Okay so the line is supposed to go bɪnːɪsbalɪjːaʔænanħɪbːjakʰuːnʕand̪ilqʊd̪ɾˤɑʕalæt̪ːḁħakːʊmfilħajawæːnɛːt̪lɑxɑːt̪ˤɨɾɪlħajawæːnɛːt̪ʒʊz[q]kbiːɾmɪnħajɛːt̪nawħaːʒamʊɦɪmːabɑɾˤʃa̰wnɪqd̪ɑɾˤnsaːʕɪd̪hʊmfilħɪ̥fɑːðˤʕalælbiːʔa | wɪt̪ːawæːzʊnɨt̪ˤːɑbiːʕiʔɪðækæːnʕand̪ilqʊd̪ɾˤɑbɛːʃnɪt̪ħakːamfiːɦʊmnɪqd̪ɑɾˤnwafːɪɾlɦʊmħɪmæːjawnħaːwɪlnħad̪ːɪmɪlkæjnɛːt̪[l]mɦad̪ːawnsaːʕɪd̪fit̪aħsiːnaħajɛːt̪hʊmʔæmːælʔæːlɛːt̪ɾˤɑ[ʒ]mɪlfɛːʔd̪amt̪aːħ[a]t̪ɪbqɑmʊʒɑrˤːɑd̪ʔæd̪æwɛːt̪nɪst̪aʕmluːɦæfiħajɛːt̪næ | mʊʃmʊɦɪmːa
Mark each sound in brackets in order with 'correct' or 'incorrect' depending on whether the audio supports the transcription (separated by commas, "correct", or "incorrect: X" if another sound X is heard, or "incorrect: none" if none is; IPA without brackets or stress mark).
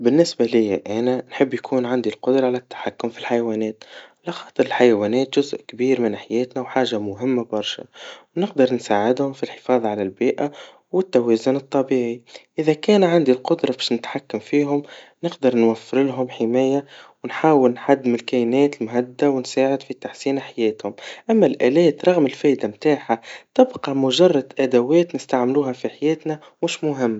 incorrect: ʔ, correct, incorrect: ɣ, correct